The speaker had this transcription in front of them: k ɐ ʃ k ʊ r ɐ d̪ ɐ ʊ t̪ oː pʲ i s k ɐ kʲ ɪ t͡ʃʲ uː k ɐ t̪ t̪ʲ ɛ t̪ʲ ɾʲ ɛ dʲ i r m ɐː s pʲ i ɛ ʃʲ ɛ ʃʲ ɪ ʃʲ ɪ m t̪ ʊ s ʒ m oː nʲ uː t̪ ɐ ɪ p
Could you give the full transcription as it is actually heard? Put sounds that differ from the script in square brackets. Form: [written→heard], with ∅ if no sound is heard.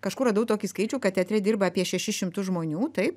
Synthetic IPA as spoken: k ɐ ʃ k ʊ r ɐ d̪ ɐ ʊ t̪ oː [pʲ→kʲ] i s k ɐ [kʲ→∅] ɪ t͡ʃʲ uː k ɐ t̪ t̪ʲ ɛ t̪ʲ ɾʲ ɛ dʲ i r [m→b] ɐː [s→∅] pʲ i ɛ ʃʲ ɛ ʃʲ ɪ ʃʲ ɪ m t̪ ʊ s ʒ m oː nʲ uː t̪ ɐ ɪ p